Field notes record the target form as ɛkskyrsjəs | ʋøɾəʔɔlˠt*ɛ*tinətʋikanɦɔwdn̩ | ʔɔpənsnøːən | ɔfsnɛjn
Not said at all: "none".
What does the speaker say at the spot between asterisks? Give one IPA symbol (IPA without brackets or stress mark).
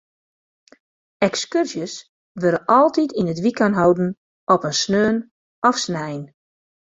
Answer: i